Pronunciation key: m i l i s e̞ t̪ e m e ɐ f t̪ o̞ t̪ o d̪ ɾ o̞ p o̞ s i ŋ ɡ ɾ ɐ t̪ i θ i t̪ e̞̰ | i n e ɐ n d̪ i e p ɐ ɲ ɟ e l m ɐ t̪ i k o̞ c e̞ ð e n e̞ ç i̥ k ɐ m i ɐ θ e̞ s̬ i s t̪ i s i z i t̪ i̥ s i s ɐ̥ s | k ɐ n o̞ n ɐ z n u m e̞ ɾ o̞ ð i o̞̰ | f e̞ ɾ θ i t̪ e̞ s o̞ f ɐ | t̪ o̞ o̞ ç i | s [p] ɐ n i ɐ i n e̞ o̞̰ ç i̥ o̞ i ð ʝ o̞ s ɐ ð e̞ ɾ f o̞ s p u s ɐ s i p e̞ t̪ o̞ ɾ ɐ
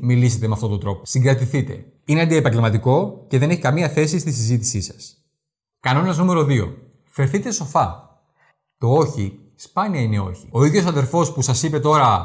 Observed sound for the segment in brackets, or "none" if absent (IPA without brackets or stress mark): p